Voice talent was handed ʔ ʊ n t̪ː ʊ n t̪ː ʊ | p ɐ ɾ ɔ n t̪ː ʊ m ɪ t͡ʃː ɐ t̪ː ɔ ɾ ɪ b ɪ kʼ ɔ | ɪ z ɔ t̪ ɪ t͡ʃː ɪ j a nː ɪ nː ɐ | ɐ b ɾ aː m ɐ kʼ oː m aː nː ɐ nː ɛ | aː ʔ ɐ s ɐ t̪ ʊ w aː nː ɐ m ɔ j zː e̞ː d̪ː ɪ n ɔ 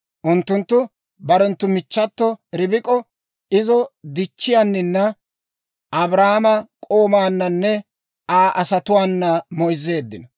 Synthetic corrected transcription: ʔ ʊ n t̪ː ʊ n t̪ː ʊ | b ɐ ɾ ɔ n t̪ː ʊ m ɪ t͡ʃː ɐ t̪ː ɔ ɾ ɪ b ɪ kʼ ɔ | ɪ z ɔ d̪ ɪ t͡ʃː ɪ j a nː ɪ nː ɐ | ɐ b ɾ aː m ɐ kʼ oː m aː nː ɐ nː ɛ | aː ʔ ɐ s ɐ t̪ ʊ w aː nː ɐ m ɔ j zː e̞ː d̪ː ɪ n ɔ